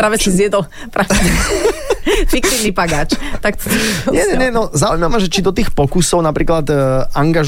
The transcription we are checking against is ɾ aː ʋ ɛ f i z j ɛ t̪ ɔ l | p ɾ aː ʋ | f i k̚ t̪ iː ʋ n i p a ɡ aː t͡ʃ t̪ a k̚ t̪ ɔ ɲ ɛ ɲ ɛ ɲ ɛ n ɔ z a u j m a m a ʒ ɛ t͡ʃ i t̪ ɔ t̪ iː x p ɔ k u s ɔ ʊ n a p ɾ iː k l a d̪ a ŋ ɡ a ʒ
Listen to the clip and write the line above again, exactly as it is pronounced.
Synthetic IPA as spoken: ɾ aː ʋ ɛ s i z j ɛ d̪ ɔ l | p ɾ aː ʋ | f i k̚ t̪ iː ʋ n i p a ɡ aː t͡ʃ t̪ a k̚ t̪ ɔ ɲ ɛ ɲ ɛ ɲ ɛ n ɔ z a u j m a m a ʒ ɛ t͡ʃ i d̪ ɔ t̪ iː x p ɔ k u s ɔ ʊ n a p ɾ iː k l a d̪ a ŋ ɡ a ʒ